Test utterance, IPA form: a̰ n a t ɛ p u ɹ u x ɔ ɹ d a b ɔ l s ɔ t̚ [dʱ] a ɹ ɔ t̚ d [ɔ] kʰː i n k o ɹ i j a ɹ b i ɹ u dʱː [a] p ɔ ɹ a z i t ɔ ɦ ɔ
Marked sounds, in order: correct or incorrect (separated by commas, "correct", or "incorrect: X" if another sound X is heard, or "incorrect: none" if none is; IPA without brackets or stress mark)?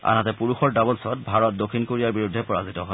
incorrect: bʱ, incorrect: o, incorrect: ɛ